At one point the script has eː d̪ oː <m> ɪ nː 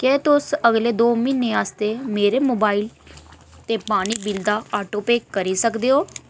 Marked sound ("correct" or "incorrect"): correct